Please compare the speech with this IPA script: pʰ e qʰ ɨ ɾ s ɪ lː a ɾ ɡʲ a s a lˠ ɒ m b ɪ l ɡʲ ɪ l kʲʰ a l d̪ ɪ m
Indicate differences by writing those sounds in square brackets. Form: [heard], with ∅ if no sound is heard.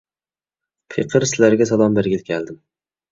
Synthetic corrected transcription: pʰ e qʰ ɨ ɾ s ɪ [l] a ɾ ɡʲ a s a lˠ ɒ m b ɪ [ɾ] ɡʲ ɪ l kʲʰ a l d̪ ɪ m

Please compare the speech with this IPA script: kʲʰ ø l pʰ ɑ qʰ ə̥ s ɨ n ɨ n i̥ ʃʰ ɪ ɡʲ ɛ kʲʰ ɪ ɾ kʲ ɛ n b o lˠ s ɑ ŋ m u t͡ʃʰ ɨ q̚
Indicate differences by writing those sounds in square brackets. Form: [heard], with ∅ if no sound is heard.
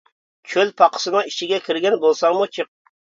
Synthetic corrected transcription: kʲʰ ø l pʰ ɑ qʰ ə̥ s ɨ n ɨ [ŋ] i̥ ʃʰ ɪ ɡʲ ɛ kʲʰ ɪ ɾ [ɡʲ] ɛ n b o lˠ s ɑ ŋ m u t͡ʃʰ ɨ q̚

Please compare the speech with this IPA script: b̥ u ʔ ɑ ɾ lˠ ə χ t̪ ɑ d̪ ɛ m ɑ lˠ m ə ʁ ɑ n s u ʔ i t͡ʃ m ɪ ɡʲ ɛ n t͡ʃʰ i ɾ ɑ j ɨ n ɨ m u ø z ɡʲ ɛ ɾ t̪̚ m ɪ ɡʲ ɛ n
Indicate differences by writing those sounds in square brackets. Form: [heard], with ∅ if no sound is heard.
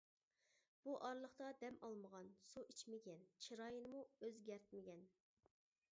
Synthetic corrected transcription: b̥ u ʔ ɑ ɾ lˠ ə χ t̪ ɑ d̪ ɛ m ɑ lˠ m ə ʁ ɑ n s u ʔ i t͡ʃ m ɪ ɡʲ ɛ n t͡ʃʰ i ɾ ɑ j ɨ n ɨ m u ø z ɡʲ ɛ ɾ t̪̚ m ɪ ɡʲ ɛ n

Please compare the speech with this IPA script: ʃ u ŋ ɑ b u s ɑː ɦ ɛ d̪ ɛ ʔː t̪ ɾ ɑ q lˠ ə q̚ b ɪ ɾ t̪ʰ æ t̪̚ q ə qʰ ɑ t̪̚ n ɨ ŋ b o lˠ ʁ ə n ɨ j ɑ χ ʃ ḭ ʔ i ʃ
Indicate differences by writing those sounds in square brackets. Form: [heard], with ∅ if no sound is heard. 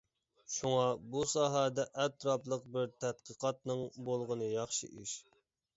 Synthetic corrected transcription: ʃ u ŋ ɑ b u s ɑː ɦ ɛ d̪ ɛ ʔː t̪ ɾ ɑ [p] lˠ ə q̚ b ɪ ɾ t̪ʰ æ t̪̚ q ə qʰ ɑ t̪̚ n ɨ ŋ b o lˠ ʁ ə n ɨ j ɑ χ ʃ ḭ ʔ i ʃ

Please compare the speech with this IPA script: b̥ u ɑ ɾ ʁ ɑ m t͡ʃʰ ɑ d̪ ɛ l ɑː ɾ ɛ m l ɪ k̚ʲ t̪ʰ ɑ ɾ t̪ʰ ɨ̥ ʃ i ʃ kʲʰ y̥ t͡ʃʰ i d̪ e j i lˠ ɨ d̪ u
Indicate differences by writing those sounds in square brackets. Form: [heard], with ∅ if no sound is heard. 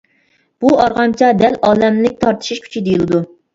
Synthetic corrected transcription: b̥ u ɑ ɾ ʁ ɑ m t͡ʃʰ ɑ d̪ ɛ l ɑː [l] ɛ m l ɪ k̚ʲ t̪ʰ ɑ ɾ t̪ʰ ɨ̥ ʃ i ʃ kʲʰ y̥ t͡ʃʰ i d̪ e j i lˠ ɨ d̪ u

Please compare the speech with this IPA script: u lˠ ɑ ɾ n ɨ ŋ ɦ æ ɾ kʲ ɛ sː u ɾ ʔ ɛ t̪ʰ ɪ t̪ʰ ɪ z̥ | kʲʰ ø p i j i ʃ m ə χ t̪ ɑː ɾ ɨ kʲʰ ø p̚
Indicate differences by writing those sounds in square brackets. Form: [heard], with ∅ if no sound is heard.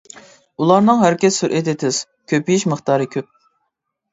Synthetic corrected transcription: u lˠ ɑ ɾ n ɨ ŋ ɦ æ ɾ kʲ ɛ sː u ɾ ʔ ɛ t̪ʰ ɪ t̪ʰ ɪ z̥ | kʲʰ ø p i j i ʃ m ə χ t̪ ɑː ɾ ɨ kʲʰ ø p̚

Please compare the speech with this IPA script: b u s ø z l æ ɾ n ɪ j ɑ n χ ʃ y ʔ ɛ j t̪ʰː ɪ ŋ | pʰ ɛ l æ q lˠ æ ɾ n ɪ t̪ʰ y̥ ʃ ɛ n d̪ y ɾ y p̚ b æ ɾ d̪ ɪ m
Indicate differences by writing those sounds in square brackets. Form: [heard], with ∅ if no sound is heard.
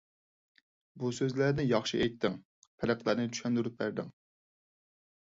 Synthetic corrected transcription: b u s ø z l æ ɾ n ɪ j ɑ [∅] χ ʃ [i] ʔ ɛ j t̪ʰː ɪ ŋ | pʰ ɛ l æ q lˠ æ ɾ n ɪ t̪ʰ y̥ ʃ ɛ n d̪ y ɾ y p̚ b æ ɾ d̪ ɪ [ŋ]

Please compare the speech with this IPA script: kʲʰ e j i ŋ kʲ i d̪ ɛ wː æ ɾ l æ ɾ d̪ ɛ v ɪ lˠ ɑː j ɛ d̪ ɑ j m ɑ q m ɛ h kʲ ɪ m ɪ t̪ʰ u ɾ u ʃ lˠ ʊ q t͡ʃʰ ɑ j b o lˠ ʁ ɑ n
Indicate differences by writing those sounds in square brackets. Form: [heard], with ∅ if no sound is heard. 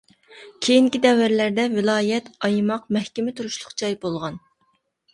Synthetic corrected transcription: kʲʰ e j i ŋ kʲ i d̪ ɛ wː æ ɾ l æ ɾ d̪ ɛ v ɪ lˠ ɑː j ɛ [t̪] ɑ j m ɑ q m ɛ h kʲ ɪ m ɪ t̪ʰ u ɾ u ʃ lˠ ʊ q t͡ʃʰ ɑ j b o lˠ ʁ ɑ n

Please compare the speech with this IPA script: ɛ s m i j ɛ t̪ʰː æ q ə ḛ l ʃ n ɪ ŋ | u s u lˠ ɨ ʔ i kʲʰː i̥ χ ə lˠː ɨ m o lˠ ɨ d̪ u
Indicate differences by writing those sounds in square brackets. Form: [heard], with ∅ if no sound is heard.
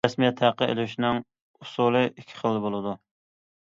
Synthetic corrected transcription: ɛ s m i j ɛ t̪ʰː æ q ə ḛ l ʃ n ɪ ŋ | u s u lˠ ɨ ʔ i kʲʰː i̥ χ ə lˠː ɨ [b] o lˠ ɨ d̪ u

